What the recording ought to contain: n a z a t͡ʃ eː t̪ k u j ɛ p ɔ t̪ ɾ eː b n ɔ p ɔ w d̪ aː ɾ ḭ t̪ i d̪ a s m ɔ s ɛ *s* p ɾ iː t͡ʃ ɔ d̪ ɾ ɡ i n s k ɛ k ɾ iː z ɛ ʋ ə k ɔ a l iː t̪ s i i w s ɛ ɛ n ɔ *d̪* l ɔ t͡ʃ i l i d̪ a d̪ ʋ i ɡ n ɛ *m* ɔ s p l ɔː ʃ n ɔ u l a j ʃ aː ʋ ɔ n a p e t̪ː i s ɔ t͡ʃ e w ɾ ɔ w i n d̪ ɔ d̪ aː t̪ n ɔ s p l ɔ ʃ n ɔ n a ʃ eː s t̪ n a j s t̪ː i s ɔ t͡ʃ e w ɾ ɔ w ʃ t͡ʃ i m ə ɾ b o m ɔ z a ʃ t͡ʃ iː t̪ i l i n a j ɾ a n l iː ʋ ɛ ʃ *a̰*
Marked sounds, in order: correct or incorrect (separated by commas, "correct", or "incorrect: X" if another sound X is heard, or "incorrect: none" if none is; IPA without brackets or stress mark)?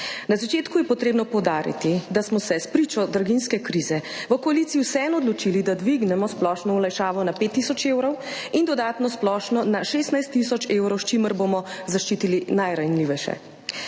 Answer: correct, correct, correct, incorrect: ɛ̰